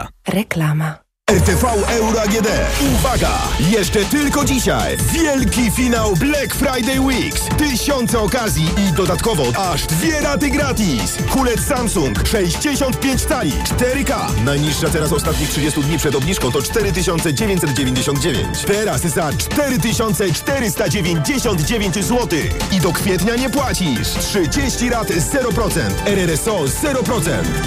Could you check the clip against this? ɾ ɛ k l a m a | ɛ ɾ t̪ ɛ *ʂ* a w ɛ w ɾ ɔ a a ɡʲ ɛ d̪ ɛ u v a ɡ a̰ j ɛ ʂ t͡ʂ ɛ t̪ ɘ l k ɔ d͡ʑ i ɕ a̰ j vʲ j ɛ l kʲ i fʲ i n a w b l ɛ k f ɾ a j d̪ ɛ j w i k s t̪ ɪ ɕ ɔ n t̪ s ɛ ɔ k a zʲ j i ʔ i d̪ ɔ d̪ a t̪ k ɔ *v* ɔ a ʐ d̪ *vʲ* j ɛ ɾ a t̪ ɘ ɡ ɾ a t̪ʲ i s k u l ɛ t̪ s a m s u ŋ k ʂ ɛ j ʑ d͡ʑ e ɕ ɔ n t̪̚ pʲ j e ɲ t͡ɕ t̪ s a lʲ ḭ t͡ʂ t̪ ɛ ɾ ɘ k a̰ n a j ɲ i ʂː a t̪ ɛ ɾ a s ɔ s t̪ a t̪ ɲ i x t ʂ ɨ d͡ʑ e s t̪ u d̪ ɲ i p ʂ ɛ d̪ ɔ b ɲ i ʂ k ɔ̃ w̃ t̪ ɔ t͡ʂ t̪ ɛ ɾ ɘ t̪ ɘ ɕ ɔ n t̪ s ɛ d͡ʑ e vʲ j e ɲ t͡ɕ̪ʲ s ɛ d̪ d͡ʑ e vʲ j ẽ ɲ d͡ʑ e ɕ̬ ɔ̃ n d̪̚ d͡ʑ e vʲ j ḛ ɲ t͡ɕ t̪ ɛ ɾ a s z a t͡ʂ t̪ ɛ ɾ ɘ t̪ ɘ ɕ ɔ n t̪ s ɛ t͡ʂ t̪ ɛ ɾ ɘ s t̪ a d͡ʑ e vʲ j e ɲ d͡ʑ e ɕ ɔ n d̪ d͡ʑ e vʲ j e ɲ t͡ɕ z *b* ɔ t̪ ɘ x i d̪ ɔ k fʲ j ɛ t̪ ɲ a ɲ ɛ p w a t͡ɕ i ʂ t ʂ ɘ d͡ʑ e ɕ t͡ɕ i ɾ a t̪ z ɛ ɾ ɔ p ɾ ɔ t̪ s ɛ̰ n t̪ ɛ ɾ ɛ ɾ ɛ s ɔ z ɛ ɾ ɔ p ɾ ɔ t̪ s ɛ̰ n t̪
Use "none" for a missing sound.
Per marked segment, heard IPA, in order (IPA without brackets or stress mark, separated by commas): f, v, vʲ, w